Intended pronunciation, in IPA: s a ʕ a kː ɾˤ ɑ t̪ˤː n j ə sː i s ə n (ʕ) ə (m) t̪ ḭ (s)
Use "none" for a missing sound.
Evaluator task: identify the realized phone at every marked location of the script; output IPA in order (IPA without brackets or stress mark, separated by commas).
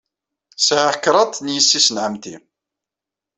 ʕ, m, none